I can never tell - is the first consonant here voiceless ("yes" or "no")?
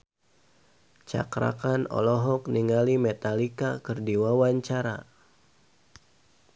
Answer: yes